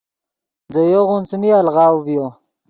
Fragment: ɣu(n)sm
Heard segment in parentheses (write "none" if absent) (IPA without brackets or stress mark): n